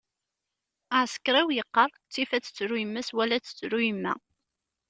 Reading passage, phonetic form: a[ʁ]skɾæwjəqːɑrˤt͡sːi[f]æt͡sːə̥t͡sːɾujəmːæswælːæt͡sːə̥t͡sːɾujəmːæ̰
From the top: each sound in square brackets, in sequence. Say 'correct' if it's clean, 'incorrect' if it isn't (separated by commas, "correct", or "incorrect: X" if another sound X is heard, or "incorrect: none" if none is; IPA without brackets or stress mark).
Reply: incorrect: ʕ, correct